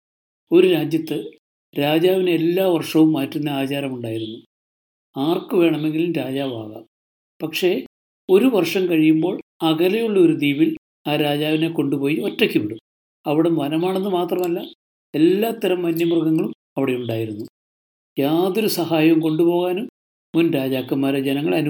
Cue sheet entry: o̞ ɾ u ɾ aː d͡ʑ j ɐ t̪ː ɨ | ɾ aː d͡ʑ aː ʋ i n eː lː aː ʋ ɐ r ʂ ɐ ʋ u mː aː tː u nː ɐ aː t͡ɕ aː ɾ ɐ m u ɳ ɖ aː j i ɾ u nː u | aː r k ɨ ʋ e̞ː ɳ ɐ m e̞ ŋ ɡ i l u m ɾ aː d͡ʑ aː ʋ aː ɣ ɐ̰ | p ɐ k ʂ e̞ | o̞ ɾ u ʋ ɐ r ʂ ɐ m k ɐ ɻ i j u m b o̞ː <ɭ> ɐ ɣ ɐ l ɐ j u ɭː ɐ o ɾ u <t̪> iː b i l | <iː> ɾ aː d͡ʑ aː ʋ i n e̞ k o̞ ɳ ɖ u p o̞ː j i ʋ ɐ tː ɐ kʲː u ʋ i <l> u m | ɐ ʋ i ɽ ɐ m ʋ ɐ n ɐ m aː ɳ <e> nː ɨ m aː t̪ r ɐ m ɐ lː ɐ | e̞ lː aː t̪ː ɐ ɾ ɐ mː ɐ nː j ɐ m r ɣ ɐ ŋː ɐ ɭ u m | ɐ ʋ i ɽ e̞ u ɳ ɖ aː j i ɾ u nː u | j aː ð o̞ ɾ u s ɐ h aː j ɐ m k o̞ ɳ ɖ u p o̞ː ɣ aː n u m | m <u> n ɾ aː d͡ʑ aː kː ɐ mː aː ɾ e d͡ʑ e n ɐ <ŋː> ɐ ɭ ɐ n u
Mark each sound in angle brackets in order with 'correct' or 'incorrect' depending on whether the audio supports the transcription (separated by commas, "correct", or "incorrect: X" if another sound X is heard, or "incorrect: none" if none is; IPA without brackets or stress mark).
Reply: correct, incorrect: d̪, incorrect: aː, incorrect: ɽ, correct, correct, correct